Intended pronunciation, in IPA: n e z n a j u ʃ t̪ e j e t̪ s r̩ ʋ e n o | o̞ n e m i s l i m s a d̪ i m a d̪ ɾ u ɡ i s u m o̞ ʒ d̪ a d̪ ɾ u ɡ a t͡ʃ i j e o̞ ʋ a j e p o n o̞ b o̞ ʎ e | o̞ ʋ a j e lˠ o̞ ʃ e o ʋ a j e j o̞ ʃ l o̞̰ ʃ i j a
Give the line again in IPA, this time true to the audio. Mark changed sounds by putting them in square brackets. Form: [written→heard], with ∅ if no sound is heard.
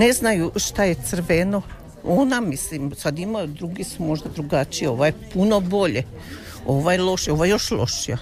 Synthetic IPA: n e z n a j u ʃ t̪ [e→a] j e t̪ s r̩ ʋ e n o | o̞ n [e→a] m i s l i m s a d̪ i m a d̪ ɾ u ɡ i s u m o̞ ʒ d̪ a d̪ ɾ u ɡ a t͡ʃ i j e o̞ ʋ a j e p [o→u] n o̞ b o̞ ʎ e | o̞ ʋ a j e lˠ o̞ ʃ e o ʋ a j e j o̞ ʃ l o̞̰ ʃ i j a